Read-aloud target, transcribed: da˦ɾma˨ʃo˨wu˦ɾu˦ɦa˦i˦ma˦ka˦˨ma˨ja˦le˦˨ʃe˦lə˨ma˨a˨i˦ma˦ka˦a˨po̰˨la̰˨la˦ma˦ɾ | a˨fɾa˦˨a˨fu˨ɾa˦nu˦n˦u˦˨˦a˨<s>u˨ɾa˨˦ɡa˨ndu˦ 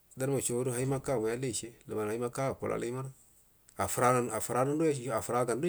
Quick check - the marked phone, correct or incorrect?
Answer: incorrect